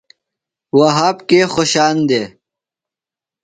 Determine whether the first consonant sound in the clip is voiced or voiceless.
voiced